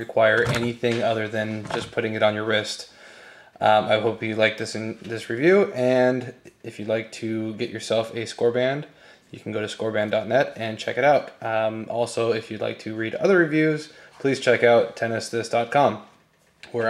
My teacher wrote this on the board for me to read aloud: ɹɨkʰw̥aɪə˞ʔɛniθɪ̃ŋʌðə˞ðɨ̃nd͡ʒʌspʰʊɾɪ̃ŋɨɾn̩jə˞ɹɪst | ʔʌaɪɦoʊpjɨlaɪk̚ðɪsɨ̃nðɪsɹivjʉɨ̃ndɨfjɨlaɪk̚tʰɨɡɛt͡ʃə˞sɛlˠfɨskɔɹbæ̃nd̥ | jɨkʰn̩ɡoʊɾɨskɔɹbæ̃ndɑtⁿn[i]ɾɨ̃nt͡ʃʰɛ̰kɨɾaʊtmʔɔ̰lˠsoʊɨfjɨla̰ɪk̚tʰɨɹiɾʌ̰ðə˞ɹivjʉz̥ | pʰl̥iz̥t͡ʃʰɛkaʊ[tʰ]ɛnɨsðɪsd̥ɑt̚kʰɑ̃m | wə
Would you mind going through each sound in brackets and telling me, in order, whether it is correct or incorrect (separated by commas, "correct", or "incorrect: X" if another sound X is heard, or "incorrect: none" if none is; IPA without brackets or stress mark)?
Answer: incorrect: ɛ, correct